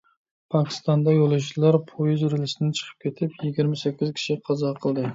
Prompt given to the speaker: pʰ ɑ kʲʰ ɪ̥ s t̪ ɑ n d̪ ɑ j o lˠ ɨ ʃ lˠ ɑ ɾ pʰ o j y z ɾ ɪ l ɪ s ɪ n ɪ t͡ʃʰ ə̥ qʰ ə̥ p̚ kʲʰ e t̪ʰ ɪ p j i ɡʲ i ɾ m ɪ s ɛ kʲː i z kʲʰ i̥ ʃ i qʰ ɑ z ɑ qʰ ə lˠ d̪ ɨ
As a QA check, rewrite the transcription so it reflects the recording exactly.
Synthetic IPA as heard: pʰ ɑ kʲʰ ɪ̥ s t̪ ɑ n d̪ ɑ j o lˠ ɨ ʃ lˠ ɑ ɾ pʰ o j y z ɾ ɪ l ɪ s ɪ n ɪ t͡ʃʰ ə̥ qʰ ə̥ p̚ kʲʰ e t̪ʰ ɪ p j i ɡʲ i ɾ m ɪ s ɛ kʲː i z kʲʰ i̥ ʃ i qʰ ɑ z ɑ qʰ ə lˠ d̪ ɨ